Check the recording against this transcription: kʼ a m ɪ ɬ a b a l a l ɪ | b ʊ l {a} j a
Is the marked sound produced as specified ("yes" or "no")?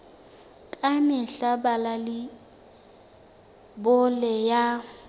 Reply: no